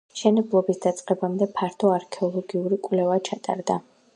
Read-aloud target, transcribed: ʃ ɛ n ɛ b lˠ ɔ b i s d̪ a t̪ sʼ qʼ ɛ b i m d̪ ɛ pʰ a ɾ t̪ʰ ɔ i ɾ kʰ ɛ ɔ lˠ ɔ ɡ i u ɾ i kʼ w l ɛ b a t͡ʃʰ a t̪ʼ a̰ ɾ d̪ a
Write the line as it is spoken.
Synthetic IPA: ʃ ɛ n ɛ b lˠ ɔ b i s d̪ a t̪ sʼ qʼ ɛ b a m d̪ ɛ pʰ a ɾ t̪ʰ ɔ a ɾ kʰ ɛ ɔ lˠ ɔ ɡ i u ɾ i kʼ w l ɛ v a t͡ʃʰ a t̪ʼ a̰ ɾ d̪ a